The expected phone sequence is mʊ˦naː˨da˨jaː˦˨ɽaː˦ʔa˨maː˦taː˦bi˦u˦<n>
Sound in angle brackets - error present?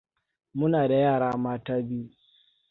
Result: yes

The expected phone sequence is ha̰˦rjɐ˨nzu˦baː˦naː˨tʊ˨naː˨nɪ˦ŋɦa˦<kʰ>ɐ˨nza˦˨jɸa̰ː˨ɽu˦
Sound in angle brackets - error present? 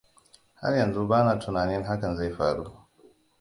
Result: yes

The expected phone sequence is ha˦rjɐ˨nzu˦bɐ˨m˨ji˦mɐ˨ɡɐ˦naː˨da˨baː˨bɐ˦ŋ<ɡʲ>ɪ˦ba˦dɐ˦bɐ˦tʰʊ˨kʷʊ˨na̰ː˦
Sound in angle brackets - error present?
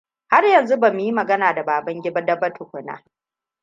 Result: no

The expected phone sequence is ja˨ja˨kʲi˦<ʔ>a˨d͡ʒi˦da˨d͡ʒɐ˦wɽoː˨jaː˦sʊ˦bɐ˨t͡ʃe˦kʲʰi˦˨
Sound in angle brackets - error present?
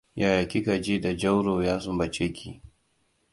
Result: yes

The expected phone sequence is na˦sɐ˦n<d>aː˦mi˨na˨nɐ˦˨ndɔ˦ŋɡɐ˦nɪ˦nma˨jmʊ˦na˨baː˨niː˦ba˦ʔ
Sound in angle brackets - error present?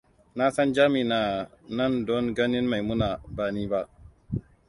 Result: yes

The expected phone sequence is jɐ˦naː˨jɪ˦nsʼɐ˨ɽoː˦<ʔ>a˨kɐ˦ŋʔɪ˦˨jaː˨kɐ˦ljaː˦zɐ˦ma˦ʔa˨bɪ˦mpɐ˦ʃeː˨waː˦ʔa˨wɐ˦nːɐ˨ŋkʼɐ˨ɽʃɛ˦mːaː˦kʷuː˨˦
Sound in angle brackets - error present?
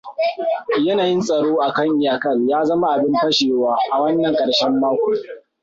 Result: no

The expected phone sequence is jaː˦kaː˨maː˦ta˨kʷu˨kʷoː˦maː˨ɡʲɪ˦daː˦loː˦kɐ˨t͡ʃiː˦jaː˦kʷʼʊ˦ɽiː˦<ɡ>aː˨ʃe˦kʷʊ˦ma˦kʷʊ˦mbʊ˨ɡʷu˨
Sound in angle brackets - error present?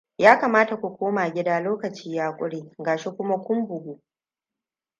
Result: no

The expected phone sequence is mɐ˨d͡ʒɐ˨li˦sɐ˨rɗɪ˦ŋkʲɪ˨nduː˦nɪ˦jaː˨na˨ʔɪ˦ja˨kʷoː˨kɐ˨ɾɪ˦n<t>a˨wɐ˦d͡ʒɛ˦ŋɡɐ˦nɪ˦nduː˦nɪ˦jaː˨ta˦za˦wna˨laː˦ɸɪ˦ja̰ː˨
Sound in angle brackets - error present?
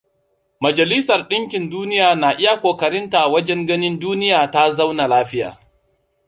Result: no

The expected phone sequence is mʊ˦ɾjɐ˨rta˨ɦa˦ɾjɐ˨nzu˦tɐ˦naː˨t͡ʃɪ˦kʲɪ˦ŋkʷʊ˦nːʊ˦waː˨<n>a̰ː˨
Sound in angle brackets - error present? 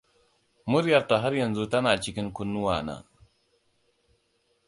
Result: no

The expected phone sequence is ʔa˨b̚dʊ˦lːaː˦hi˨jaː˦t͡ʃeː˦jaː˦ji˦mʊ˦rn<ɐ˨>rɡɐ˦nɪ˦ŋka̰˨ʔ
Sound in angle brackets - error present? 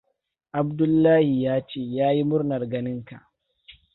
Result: no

